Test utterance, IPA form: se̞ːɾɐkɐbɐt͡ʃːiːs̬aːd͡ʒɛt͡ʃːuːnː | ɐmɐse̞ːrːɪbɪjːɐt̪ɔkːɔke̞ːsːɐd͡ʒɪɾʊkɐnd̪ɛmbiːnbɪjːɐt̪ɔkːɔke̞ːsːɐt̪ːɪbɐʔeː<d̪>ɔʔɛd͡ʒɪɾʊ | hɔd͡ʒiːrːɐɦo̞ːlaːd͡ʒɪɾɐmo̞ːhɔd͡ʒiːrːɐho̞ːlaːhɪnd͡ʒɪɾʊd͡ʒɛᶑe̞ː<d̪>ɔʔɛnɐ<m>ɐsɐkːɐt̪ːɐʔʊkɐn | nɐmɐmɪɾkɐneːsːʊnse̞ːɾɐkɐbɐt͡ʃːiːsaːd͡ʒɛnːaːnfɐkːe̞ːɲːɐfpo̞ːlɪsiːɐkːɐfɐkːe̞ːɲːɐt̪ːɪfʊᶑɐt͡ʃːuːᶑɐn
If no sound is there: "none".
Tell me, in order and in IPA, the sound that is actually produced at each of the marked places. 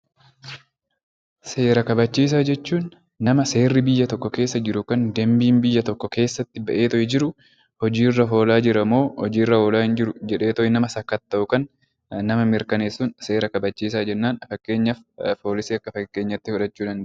t̪, t̪, m

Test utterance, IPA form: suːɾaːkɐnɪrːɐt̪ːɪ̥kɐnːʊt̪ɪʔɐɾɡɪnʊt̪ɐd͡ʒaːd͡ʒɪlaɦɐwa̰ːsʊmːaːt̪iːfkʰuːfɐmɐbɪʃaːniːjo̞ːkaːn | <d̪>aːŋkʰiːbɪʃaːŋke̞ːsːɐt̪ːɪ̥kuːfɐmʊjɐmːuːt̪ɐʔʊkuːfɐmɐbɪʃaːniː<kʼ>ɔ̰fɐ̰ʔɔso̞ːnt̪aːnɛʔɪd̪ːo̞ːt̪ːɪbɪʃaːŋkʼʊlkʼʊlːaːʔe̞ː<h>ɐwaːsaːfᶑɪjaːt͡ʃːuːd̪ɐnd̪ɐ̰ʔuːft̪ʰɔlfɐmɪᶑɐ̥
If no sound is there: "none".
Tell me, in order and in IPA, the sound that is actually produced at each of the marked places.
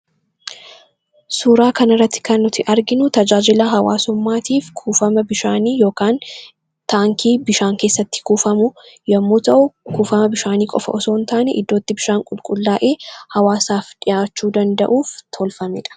t̪, kʼ, h

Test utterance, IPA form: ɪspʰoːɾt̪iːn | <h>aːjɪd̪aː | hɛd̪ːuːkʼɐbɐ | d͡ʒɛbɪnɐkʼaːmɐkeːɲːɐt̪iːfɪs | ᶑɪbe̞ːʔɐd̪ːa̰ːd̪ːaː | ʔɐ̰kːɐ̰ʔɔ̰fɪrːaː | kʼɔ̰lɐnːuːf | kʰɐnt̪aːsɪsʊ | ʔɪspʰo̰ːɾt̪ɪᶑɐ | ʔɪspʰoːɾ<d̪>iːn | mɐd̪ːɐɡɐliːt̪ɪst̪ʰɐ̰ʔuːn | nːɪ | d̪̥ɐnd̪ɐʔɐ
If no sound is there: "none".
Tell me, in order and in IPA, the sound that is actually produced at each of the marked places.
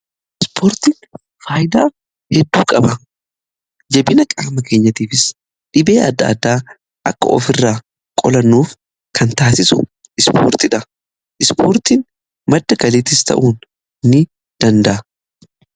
f, t̪

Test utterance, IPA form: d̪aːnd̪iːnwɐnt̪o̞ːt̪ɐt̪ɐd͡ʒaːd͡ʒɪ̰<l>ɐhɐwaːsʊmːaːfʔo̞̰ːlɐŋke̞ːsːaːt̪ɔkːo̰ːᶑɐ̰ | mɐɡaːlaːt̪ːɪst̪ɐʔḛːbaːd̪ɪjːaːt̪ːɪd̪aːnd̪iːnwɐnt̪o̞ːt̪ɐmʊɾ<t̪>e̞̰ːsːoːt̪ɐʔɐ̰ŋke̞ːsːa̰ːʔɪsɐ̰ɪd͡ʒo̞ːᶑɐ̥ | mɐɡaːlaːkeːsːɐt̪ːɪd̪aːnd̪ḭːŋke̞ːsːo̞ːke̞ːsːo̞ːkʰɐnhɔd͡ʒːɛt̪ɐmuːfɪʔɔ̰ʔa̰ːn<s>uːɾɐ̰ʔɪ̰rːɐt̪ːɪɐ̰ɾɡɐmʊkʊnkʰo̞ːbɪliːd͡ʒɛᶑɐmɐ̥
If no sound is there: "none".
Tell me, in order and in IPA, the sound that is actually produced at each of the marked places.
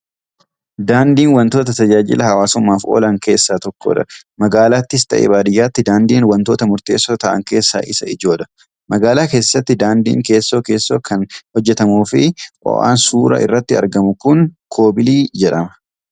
l, t̪, s

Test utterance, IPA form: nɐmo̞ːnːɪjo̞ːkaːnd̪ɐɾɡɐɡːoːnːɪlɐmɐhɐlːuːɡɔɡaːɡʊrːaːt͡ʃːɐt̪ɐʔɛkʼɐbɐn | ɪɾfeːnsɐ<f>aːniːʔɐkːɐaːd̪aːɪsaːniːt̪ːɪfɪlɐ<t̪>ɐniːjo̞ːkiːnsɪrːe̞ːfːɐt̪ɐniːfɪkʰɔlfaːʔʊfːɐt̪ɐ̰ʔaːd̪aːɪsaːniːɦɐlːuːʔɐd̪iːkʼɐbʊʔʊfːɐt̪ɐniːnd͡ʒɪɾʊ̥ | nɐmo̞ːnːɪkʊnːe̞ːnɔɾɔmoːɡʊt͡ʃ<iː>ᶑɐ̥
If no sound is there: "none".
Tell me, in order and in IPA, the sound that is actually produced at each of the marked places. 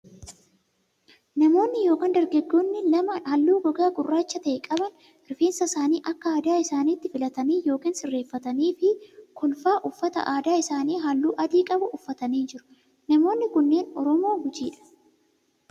s, t̪, iː

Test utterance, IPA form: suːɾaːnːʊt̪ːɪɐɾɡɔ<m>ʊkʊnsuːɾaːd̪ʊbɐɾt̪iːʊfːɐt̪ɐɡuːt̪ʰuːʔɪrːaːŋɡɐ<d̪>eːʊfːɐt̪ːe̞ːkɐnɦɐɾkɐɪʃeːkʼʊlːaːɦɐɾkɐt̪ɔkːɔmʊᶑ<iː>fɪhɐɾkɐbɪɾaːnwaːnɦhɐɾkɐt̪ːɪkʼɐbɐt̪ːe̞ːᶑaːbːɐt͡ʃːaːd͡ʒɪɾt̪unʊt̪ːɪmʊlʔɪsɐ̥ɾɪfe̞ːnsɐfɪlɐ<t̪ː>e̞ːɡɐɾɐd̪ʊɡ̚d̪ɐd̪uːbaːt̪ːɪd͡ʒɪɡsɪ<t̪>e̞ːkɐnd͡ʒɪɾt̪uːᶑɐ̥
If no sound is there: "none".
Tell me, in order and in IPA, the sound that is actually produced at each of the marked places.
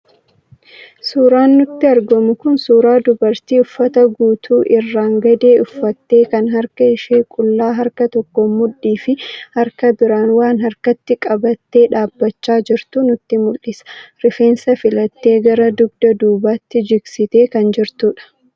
m, d̪, iː, t̪ː, t̪

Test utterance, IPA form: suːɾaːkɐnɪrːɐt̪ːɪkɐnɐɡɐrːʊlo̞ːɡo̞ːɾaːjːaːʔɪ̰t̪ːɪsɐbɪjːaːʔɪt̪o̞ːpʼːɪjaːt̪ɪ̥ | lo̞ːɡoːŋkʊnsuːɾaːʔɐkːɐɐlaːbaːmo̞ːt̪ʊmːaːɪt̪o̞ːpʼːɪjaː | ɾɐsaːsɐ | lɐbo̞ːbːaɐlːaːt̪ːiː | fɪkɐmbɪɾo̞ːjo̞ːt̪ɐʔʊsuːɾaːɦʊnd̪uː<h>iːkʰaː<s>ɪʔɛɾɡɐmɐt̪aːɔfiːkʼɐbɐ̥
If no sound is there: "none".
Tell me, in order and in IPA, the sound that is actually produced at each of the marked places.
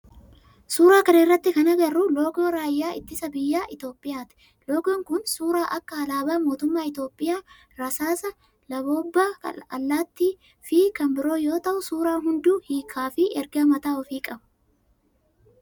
h, f

